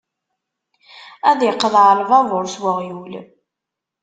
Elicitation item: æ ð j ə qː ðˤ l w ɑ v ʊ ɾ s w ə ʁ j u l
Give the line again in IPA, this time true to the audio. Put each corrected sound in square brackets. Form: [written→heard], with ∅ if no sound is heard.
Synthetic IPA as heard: æ ð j ə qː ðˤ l [w→v] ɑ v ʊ ɾ s w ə ʁ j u l